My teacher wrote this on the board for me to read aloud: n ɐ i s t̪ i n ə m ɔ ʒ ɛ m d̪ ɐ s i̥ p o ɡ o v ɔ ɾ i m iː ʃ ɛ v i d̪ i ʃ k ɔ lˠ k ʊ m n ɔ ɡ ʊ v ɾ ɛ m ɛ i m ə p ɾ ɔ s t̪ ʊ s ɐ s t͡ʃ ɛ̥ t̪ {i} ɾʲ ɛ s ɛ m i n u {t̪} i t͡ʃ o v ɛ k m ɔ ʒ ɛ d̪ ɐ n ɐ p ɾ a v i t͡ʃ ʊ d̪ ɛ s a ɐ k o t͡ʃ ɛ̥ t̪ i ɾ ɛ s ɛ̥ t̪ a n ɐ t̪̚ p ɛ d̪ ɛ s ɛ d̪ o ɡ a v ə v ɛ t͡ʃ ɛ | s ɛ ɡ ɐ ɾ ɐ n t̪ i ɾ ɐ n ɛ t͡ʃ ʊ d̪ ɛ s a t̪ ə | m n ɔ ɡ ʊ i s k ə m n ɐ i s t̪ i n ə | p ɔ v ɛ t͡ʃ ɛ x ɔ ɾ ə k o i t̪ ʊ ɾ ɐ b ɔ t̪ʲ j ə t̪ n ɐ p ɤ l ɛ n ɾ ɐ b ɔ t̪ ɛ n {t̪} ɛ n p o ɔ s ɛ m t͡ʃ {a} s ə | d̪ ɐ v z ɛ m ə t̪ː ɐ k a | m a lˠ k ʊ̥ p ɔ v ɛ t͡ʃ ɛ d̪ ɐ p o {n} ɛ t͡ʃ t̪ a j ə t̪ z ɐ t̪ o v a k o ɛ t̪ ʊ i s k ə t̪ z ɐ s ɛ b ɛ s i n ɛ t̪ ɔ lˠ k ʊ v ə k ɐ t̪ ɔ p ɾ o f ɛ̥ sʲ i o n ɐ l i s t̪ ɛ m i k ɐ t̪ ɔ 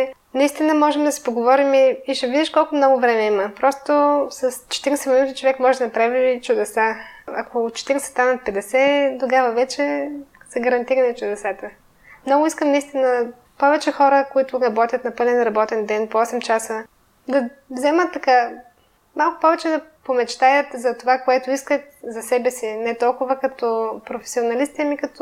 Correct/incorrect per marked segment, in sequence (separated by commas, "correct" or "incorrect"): correct, correct, incorrect, correct, incorrect